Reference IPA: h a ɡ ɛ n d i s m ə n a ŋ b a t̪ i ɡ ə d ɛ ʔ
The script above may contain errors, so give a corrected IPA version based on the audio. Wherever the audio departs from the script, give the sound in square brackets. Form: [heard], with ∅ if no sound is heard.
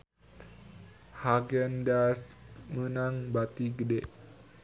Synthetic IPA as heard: h a ɡ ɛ n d [a] s m ə n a ŋ b a t̪ i ɡ ə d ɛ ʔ